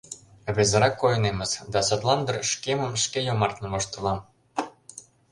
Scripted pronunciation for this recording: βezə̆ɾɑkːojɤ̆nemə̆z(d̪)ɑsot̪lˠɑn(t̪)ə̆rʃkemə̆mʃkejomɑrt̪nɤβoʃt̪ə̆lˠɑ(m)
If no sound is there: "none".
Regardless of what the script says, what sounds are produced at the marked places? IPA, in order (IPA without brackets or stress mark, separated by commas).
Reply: d̪, d̪, m